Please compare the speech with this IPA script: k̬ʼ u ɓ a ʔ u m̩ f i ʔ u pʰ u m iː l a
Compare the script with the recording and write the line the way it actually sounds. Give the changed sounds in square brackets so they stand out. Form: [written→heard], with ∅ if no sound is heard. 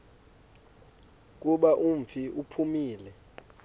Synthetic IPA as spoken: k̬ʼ u ɓ a ʔ u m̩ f i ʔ u pʰ u m iː l [a→ɛ]